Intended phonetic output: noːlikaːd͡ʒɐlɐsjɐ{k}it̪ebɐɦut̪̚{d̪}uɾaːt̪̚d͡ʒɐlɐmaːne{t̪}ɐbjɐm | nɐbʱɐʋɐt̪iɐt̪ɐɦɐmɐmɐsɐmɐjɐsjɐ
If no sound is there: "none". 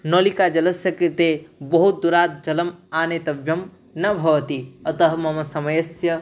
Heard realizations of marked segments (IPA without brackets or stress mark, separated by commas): k, d̪, t̪